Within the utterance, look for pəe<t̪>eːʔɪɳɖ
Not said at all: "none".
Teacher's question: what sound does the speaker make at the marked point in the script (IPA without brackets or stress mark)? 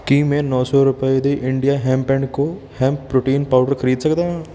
d̪